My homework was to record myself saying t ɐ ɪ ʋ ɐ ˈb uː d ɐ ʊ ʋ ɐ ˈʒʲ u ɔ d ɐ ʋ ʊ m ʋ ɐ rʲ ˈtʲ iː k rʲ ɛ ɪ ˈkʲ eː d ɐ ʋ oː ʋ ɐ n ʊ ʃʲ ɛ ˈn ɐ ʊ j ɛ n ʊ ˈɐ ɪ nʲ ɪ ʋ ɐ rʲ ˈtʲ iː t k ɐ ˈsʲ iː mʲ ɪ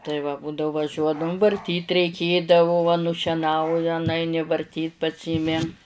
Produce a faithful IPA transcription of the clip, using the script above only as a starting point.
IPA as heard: t ɐ ɪ ʋ ɐ ˈb uː d ɐ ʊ ʋ ɐ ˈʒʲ u ɔ d ɐ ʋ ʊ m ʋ ɐ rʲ ˈtʲ iː t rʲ ɛ ɪ ˈkʲ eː d ɐ ʋ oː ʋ ɐ n ʊ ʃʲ ɛ ˈn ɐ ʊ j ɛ n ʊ ˈɐ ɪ nʲ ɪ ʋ ɐ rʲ ˈtʲ iː t p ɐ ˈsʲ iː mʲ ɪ